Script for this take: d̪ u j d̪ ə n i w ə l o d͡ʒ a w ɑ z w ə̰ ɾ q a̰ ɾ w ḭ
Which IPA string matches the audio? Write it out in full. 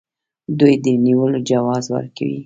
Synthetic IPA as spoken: d̪ u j d̪ ə n i w ə l o d͡ʒ a w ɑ z w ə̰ ɾ k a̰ w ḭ